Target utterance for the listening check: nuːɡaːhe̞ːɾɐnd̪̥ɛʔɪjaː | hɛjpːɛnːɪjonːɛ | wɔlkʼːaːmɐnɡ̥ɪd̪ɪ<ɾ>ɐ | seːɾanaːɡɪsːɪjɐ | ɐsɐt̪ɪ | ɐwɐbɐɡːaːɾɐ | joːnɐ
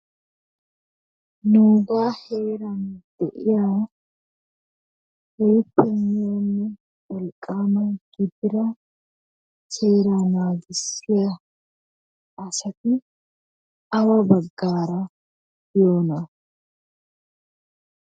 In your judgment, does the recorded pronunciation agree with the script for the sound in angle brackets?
yes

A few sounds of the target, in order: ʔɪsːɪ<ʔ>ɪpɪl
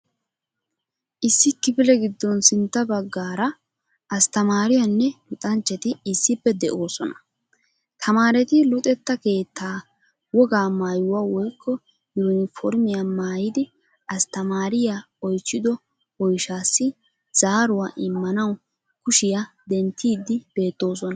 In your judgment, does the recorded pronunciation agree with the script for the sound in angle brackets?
no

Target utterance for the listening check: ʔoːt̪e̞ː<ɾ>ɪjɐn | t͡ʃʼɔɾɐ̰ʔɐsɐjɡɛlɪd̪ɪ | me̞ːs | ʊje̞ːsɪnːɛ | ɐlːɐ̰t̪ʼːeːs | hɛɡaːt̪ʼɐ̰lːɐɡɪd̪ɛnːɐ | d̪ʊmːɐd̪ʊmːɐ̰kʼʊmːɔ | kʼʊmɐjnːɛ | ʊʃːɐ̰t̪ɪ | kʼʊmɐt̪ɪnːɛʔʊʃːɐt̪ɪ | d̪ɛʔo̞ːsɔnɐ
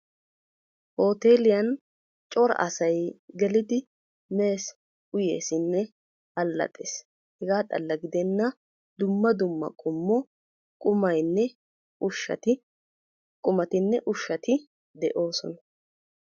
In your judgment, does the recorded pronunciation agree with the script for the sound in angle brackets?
no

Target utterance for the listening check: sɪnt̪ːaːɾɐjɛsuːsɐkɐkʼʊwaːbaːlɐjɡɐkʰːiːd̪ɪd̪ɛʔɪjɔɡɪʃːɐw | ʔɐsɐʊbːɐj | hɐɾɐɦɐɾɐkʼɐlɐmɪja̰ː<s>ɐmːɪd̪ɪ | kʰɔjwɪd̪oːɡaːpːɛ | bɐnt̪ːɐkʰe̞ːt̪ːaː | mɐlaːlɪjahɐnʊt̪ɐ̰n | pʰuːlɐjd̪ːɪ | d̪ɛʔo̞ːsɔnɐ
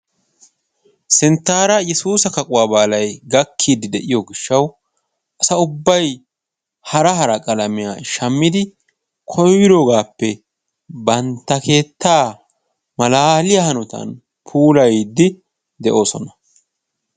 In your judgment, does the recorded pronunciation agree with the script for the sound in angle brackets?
no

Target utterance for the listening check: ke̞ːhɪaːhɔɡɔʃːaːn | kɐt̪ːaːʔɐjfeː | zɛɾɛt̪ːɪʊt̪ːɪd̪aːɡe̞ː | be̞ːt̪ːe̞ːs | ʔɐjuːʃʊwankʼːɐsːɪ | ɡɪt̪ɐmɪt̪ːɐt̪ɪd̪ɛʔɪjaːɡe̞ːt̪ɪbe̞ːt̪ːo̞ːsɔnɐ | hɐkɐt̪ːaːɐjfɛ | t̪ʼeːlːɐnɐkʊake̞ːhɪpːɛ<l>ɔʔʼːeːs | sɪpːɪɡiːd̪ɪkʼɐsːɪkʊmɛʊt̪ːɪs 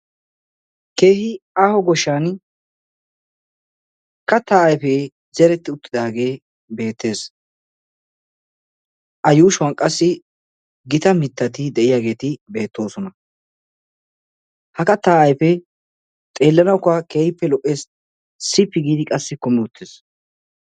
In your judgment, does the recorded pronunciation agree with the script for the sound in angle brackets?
yes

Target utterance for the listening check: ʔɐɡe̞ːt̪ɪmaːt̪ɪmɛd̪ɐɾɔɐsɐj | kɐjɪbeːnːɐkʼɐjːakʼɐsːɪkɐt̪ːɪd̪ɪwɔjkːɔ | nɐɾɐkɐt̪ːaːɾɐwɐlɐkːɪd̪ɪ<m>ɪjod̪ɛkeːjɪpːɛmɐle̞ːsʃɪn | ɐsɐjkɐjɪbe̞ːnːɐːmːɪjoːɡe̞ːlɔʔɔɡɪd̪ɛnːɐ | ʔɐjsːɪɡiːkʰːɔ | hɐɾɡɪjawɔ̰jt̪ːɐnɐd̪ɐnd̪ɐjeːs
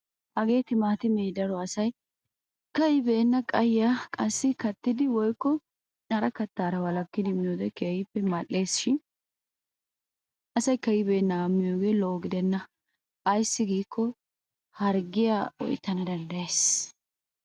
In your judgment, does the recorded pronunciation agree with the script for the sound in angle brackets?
yes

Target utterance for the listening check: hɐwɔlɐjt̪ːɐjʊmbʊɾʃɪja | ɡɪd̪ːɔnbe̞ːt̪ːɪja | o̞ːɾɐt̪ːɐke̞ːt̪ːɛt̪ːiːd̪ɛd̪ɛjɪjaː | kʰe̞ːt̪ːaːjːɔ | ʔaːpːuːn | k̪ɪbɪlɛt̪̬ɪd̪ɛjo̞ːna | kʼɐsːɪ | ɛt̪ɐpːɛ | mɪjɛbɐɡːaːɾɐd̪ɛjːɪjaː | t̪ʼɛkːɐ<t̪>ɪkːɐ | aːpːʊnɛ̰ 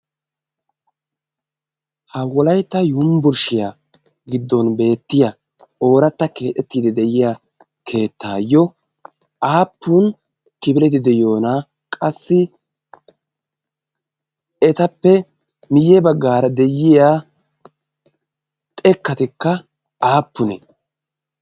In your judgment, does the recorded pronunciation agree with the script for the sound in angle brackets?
yes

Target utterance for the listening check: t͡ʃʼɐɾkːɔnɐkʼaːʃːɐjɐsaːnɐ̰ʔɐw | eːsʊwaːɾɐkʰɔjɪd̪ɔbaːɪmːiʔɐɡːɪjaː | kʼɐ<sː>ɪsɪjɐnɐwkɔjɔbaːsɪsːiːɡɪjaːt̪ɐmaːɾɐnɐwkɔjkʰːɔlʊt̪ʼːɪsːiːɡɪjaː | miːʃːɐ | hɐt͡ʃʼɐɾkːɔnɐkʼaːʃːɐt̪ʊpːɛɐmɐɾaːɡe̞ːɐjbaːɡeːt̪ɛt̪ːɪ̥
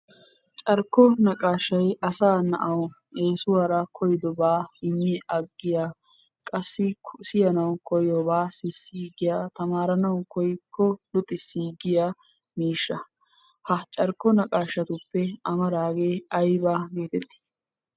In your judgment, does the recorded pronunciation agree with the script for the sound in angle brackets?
yes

